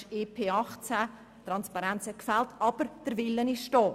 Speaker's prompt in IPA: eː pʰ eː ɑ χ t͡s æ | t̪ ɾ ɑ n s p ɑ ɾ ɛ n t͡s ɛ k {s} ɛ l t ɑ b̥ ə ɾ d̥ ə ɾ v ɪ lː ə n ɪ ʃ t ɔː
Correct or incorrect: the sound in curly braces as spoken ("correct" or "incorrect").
incorrect